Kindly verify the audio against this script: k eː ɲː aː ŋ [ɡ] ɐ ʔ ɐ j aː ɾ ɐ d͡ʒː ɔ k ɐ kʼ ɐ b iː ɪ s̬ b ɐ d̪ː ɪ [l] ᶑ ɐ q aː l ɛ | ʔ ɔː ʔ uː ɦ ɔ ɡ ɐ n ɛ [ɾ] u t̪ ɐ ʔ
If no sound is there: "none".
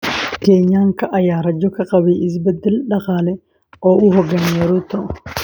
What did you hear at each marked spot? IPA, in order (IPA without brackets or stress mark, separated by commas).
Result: k, l, ɾ